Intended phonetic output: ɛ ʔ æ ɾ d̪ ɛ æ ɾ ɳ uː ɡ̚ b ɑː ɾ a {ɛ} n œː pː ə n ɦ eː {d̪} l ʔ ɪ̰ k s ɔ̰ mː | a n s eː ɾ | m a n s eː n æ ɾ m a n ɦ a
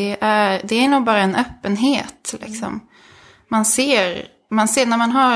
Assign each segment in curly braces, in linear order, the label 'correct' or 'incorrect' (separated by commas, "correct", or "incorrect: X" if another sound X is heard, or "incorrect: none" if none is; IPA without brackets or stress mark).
correct, incorrect: t̪